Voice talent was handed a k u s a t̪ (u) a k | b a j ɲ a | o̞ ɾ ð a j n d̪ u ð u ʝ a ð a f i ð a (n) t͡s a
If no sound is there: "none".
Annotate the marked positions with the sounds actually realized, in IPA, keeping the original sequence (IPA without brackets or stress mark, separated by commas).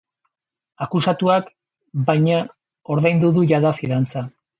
u, n